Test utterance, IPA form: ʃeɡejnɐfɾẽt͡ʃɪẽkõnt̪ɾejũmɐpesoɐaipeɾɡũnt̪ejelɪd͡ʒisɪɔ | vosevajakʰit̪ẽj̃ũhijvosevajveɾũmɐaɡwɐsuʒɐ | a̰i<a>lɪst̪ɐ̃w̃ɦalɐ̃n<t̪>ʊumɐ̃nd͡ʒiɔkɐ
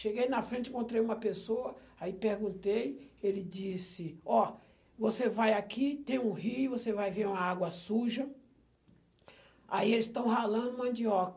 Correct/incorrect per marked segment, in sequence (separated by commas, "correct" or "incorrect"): incorrect, incorrect